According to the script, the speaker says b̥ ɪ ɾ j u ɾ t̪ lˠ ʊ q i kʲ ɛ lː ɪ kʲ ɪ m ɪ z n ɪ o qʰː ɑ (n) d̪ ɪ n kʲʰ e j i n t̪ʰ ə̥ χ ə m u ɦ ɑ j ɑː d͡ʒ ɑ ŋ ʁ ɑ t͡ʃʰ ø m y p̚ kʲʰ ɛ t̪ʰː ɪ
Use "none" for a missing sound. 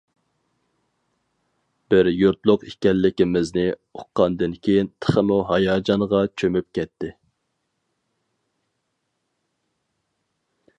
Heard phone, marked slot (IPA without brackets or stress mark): n